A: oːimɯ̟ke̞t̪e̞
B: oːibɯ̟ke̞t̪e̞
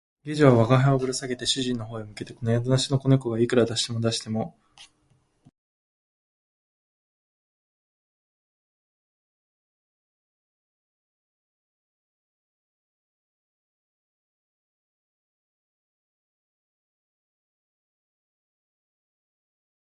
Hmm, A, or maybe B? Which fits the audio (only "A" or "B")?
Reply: A